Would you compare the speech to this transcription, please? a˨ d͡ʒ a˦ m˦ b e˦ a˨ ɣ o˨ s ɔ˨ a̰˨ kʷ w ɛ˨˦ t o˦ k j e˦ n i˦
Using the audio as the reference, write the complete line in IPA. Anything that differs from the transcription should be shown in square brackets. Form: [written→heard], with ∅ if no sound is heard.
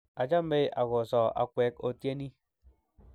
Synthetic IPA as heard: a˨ d͡ʒ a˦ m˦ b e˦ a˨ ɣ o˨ s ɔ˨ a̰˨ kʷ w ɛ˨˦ [t→k] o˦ [k→t] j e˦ n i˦